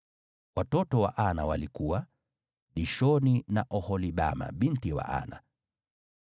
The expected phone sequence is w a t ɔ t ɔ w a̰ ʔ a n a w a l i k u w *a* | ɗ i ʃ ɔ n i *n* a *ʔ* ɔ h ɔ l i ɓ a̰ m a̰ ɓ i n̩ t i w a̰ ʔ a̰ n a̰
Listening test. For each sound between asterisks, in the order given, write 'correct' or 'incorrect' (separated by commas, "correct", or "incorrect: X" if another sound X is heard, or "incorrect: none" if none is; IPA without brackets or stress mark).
correct, correct, correct